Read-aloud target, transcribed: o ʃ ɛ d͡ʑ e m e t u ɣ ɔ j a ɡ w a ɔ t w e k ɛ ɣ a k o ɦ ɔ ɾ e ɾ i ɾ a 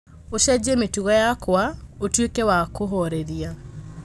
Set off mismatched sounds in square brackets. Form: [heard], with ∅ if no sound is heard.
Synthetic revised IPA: o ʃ ɛ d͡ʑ e m e t u ɣ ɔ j a [k] w a [o] t w e k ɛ [w] a k o ɦ ɔ ɾ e ɾ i [∅] a